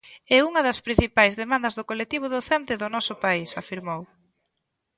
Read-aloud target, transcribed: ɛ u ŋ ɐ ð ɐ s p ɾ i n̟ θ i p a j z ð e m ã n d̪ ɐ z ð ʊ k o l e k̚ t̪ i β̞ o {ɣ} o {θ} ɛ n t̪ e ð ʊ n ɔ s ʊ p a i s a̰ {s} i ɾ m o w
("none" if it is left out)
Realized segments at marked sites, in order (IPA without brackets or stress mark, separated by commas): ð, θ, f